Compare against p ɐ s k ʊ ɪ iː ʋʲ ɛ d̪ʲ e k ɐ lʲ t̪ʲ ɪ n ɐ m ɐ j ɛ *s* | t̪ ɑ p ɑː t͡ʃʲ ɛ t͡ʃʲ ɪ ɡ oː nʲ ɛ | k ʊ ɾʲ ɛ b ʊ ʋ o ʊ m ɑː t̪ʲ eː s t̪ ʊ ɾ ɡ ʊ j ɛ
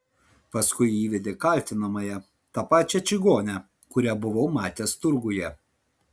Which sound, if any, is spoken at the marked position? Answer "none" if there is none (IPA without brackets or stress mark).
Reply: none